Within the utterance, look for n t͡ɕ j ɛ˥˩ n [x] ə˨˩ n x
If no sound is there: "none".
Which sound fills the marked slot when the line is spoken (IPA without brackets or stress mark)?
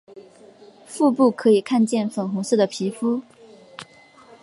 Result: f